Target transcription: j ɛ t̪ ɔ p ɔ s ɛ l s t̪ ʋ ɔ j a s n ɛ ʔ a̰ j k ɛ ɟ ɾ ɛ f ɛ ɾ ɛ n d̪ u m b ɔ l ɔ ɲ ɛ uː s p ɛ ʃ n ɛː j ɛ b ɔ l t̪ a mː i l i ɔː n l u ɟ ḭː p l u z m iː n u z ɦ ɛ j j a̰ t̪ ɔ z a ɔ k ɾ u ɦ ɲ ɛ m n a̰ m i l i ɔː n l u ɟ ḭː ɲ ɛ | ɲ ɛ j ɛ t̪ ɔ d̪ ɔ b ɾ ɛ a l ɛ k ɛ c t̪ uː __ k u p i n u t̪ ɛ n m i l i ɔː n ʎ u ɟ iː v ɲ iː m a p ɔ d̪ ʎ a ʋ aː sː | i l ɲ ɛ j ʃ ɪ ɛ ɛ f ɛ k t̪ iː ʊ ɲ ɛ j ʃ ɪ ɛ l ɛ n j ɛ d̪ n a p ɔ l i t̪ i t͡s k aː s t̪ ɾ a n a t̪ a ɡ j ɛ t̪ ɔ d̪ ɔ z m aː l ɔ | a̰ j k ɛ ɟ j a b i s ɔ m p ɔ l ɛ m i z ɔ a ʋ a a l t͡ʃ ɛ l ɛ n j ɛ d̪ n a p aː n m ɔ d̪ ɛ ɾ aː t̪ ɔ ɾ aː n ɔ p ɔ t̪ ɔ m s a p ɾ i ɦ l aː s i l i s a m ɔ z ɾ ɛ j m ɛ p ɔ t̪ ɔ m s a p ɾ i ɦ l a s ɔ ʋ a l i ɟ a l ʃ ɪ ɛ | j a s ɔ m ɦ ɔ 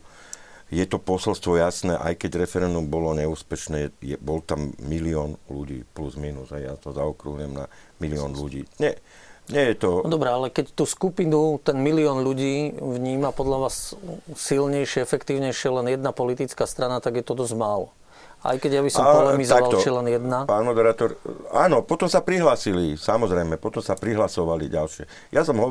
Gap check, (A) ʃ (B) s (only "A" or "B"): B